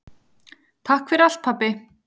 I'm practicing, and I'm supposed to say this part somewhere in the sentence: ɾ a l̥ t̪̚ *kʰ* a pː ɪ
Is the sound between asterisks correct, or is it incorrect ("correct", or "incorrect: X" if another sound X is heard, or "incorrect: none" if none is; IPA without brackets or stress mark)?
incorrect: pʰ